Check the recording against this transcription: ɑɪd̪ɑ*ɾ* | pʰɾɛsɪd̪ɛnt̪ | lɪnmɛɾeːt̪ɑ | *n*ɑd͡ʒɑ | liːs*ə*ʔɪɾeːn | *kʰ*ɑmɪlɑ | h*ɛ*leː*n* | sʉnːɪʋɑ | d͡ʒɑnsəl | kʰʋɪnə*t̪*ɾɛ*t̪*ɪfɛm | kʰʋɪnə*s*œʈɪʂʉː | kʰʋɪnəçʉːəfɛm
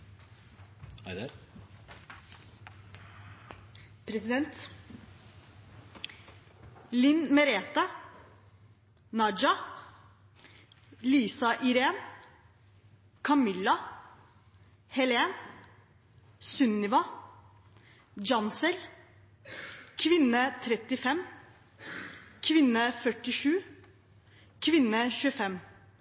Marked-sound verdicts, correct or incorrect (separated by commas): correct, correct, incorrect, correct, correct, correct, incorrect, correct, incorrect